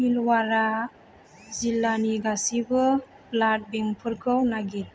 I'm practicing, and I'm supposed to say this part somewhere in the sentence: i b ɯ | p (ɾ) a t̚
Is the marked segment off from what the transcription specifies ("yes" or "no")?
yes